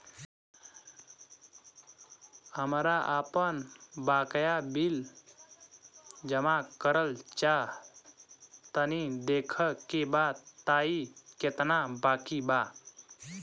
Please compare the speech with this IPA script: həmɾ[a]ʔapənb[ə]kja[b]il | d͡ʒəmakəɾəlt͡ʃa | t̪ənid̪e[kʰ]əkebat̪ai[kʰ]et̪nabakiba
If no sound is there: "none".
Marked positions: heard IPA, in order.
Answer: a, a, b, kʰ, k

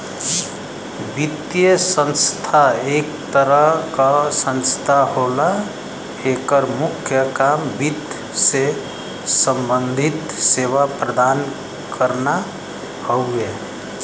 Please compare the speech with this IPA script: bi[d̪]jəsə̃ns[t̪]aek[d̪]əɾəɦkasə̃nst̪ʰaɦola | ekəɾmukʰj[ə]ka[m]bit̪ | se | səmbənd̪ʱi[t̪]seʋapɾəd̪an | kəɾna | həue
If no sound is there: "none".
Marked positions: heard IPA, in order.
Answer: t̪, t̪ʰ, t̪, ə, m, t̪

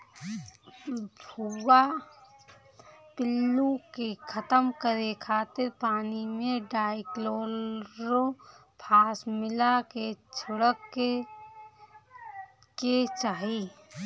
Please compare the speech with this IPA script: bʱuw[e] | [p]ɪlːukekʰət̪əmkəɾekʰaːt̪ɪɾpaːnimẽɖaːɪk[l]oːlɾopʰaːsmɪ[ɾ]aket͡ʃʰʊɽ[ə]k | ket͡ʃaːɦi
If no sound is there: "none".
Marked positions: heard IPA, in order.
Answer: a, p, l, l, ə

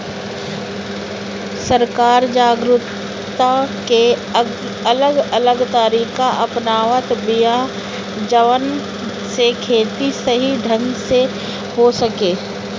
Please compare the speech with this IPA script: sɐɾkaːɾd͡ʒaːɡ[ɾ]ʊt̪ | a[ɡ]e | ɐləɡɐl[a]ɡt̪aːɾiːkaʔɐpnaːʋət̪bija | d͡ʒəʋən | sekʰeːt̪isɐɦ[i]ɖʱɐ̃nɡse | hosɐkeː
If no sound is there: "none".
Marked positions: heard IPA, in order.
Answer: ɾ, k, ə, i

